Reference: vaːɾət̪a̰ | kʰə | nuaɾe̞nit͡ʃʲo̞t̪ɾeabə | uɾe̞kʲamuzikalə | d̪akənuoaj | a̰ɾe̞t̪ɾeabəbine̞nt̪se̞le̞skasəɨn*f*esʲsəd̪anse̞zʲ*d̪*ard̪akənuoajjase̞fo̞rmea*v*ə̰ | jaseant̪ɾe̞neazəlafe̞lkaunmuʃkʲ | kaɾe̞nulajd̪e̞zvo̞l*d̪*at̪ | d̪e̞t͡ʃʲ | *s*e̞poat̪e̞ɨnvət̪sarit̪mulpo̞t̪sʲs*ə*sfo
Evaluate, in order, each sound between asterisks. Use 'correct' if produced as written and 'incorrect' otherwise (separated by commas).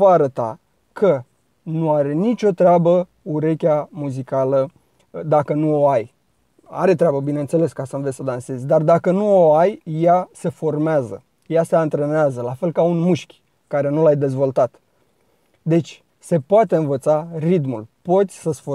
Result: incorrect, correct, incorrect, incorrect, correct, correct